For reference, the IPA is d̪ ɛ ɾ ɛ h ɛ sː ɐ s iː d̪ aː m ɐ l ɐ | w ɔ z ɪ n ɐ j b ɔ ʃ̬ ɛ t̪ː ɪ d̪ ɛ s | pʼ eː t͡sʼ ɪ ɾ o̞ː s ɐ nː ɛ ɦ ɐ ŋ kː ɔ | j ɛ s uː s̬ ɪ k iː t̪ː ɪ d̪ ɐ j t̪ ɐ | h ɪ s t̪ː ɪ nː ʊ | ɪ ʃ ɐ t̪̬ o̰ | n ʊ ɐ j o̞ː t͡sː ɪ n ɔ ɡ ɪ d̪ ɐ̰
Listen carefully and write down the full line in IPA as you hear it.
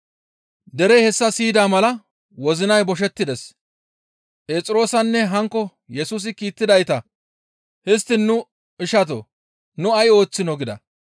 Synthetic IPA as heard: d̪ ɛ ɾ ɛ h ɛ sː ɐ s iː d̪ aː m ɐ l ɐ | w ɔ z ɪ n ɐ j b ɔ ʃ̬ ɛ t̪ː ɪ d̪ ɛ s | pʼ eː t͡sʼ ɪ ɾ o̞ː s ɐ nː ɛ ɦ ɐ ŋ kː ɔ | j ɛ s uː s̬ ɪ k iː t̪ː ɪ d̪ ɐ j t̪ ɐ | h ɪ s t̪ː ɪ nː ʊ | ɪ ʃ ɐ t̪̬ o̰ | n ʊ ɐ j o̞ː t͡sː ɪ n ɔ ɡ ɪ d̪ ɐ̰